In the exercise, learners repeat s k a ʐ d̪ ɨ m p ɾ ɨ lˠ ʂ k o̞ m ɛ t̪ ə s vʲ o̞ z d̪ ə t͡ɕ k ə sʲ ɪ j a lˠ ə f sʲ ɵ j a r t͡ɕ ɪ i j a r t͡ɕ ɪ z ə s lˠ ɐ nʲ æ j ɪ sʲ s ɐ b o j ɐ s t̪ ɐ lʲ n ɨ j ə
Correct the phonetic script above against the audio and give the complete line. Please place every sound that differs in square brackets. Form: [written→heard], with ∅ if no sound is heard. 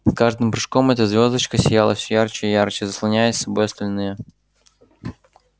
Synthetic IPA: s k a ʐ d̪ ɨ m p ɾ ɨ [lˠ→∅] ʂ k o̞ m ɛ t̪ ə [s→z] vʲ o̞ z d̪ ə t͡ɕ k ə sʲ ɪ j a lˠ ə f sʲ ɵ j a r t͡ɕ ɪ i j a r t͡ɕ ɪ z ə s lˠ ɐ nʲ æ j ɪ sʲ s ɐ b o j ɐ s t̪ ɐ lʲ n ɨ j ə